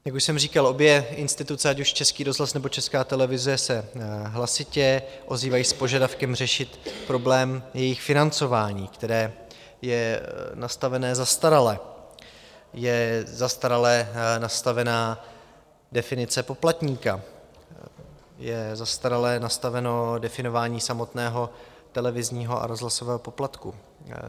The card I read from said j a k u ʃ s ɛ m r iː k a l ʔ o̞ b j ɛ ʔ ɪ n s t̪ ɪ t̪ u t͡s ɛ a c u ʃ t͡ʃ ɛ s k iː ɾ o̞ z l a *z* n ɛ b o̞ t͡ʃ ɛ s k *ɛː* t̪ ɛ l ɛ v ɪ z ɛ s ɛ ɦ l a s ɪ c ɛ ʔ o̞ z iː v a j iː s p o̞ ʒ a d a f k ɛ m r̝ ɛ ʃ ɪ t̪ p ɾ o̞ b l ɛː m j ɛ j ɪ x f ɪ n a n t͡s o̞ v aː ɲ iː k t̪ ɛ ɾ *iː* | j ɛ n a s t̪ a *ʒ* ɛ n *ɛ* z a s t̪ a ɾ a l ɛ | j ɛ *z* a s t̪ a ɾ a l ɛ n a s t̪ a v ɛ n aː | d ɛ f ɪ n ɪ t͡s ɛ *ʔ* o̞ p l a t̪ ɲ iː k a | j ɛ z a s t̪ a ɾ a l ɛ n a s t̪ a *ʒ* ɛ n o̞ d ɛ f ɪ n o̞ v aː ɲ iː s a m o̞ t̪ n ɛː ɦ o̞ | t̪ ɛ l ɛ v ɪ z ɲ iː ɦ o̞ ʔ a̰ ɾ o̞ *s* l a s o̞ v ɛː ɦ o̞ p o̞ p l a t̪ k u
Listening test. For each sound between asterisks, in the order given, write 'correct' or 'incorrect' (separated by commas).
incorrect, incorrect, incorrect, incorrect, incorrect, correct, incorrect, incorrect, incorrect